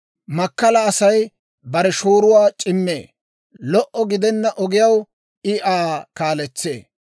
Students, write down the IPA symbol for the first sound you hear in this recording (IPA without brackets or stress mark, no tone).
m